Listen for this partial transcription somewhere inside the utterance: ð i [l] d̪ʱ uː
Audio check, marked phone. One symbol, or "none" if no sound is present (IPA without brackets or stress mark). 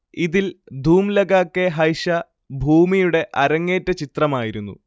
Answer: l